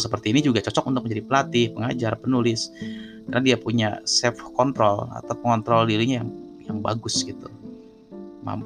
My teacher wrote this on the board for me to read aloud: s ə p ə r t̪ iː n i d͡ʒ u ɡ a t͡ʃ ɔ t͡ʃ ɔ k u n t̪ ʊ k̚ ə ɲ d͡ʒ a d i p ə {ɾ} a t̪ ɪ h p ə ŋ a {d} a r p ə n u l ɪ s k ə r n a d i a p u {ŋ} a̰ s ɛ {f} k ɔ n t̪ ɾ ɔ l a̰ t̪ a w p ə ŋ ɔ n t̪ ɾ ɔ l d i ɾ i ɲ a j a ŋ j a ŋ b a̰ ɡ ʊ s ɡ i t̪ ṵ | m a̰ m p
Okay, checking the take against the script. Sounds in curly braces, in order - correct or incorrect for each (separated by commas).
incorrect, incorrect, incorrect, correct